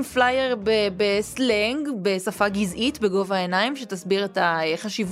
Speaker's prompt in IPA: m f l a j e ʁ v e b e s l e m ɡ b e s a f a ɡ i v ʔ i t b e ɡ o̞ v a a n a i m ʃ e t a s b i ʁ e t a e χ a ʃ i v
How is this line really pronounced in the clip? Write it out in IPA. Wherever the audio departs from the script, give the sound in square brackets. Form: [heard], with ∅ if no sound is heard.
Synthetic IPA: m f l a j e ʁ [b] e b e s l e [ŋ] ɡ b e s a f a ɡ i [z] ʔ i t b e ɡ o̞ v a [e] n a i m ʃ e t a s b i ʁ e t a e χ a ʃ i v